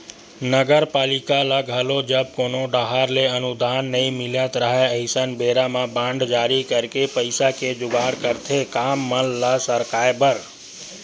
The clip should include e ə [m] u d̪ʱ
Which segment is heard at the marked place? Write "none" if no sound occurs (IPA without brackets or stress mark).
n